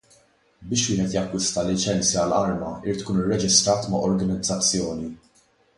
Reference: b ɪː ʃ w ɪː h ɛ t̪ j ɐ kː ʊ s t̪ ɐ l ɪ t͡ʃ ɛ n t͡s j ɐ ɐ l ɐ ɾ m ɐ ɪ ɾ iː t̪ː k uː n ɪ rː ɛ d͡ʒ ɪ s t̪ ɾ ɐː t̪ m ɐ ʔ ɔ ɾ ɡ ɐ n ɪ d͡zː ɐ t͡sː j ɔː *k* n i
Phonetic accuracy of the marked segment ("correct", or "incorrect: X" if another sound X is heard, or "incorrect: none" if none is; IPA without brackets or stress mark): incorrect: none